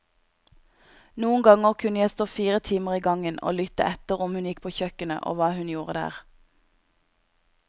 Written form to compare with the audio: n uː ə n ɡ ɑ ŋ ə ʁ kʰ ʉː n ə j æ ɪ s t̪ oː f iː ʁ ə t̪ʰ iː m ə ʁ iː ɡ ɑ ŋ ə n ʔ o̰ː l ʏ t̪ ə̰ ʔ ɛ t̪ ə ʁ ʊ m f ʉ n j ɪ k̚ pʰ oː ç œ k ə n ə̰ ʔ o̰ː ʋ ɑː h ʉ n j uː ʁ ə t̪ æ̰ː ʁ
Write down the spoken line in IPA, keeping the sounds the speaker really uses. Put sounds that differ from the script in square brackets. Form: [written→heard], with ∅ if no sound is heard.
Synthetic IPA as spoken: n uː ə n ɡ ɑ ŋ ə ʁ kʰ [ʉː→ʉ] n ə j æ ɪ s t̪ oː f iː ʁ ə t̪ʰ iː m ə ʁ iː ɡ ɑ ŋ ə n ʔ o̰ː l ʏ t̪ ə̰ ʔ ɛ t̪ ə ʁ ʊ m [f→h] ʉ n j ɪ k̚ pʰ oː ç œ k ə n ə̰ ʔ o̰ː ʋ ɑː h ʉ n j uː ʁ ə [t̪→d̪] æ̰ː ʁ